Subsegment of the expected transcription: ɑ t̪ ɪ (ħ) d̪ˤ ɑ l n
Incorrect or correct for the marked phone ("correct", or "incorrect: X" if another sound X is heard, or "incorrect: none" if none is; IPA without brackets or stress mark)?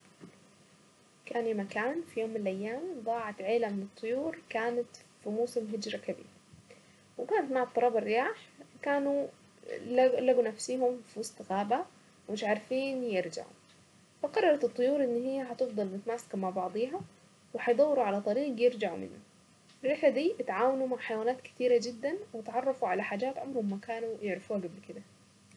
incorrect: f